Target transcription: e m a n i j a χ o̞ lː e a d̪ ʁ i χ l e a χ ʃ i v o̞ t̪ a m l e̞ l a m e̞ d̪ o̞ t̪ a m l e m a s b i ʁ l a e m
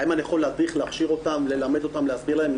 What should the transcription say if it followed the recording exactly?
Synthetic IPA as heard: i m a n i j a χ o̞ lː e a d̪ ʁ i χ l e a χ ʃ i ʁ o̞ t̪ a m l e̞ l a m e̞ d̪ o̞ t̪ a m l e a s b i ʁ l a e m